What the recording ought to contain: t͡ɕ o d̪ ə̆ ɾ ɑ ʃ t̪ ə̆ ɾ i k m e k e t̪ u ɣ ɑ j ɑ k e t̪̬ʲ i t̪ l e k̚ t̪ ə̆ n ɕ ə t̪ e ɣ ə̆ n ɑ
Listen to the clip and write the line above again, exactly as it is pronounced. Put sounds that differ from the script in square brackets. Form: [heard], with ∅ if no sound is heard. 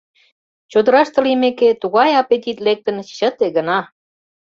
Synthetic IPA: t͡ɕ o d̪ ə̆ ɾ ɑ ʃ t̪ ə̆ [l] i [∅] m e k e t̪ u ɣ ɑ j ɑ [p] e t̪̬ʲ i t̪ l e k̚ t̪ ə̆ n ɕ ə t̪ e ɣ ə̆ n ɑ